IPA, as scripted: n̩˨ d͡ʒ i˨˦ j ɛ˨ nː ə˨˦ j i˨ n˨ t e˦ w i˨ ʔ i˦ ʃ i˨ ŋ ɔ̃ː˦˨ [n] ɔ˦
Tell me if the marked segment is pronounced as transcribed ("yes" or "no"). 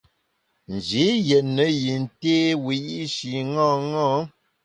no